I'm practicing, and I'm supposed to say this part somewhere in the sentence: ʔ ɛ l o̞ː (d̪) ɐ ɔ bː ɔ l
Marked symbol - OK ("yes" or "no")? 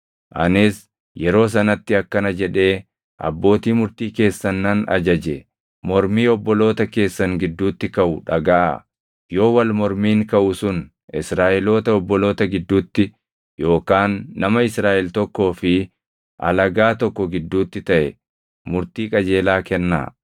no